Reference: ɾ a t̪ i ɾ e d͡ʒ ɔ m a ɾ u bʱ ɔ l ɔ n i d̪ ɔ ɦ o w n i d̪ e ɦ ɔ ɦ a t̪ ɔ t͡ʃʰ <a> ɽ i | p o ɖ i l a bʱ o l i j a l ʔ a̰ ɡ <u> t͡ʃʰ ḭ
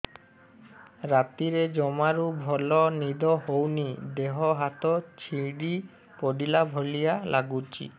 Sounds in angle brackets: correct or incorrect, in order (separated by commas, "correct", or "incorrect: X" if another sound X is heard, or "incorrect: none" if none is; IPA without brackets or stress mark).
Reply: incorrect: i, correct